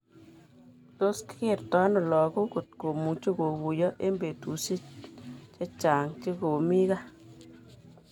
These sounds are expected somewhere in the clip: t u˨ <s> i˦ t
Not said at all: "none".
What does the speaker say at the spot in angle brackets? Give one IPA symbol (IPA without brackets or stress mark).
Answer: s